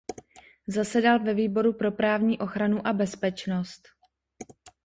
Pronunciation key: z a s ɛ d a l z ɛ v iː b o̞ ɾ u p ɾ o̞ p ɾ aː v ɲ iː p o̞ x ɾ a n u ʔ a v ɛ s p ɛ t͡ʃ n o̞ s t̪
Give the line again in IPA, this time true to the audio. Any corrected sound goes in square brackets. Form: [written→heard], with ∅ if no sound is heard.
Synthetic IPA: z a s ɛ d a l [z→v] ɛ v iː b o̞ ɾ u p ɾ o̞ p ɾ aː v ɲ iː [p→ʔ] o̞ x ɾ a n u ʔ a [v→b] ɛ s p ɛ t͡ʃ n o̞ s t̪